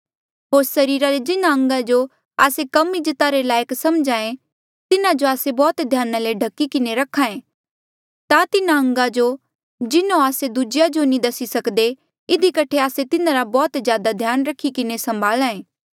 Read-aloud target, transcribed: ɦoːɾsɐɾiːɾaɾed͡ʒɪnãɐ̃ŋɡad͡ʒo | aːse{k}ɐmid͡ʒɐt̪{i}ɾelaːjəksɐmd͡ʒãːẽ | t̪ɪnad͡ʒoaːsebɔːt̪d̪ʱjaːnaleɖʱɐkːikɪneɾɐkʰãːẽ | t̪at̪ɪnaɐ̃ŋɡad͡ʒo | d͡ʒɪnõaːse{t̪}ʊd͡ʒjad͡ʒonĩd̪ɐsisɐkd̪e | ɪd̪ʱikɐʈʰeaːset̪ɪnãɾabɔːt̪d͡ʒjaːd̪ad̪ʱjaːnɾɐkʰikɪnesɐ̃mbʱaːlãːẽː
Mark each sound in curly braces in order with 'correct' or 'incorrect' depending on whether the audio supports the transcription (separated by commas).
correct, incorrect, incorrect